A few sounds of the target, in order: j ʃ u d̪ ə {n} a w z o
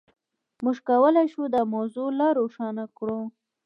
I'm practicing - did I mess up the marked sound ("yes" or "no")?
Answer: yes